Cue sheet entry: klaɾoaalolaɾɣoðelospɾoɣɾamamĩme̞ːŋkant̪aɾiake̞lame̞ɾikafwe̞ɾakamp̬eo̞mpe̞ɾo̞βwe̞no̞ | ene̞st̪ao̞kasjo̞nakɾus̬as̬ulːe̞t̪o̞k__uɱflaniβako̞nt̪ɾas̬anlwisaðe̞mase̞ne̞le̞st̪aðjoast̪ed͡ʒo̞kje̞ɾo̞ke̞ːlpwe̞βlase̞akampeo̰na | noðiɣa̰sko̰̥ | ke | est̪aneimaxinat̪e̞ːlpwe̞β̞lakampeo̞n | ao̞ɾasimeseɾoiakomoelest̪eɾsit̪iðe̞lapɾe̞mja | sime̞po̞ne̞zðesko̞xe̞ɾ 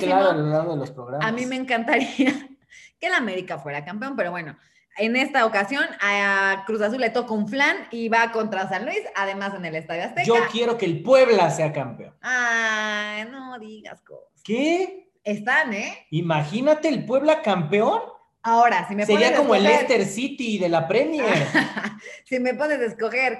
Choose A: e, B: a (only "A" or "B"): B